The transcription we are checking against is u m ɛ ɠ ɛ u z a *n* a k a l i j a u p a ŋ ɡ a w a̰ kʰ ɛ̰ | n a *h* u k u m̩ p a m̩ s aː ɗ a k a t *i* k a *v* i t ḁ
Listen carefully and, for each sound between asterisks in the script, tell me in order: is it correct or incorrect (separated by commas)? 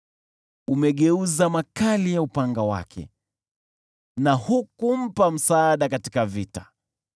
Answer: incorrect, correct, correct, correct